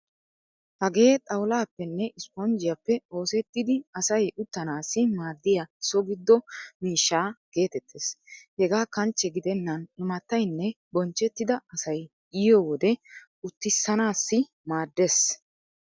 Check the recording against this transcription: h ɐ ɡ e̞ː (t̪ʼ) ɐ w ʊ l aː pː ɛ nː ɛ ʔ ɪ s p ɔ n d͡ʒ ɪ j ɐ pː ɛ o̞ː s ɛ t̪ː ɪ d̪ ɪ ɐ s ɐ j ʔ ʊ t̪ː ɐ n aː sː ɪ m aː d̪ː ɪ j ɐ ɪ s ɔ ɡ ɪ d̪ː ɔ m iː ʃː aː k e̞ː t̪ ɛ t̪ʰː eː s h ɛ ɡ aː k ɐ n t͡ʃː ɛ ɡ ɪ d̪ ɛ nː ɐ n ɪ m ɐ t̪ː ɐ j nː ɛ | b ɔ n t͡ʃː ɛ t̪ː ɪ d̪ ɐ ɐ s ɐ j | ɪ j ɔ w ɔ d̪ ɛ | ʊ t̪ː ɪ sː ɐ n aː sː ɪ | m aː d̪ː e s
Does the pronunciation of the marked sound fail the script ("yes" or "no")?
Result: no